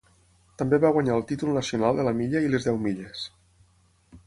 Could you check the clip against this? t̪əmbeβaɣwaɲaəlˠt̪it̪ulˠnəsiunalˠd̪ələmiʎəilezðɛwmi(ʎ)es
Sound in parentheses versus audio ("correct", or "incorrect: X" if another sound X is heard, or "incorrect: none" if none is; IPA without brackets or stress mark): correct